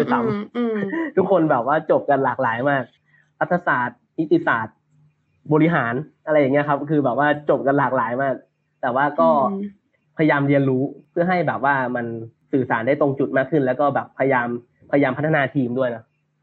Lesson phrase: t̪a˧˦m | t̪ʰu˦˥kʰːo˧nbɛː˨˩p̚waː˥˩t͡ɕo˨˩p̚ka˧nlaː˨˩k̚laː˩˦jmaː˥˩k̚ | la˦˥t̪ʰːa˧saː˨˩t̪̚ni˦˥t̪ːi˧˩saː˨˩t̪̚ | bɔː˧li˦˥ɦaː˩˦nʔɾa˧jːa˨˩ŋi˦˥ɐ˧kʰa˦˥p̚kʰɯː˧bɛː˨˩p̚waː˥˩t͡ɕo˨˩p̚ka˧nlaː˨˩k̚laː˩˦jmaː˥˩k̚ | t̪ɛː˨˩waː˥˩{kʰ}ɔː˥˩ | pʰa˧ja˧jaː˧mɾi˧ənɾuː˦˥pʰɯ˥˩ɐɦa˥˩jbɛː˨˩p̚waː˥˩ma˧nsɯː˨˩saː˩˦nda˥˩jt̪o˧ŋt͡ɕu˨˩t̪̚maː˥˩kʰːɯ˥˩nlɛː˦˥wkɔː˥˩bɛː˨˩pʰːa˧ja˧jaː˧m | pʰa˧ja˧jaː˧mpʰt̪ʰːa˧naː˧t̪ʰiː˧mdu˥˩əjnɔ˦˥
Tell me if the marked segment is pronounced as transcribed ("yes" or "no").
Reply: no